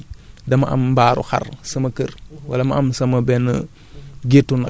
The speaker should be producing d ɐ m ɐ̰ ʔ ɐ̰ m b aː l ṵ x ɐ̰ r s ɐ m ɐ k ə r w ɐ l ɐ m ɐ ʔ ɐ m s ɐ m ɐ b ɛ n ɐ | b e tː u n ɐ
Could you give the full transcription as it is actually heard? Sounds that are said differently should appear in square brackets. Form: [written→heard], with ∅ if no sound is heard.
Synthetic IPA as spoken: d ɐ m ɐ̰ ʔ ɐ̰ m b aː [l→ɾ] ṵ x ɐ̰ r s ɐ m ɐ k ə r w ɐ l ɐ m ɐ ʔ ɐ m s ɐ m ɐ b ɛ n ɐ | [b→ɡ] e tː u n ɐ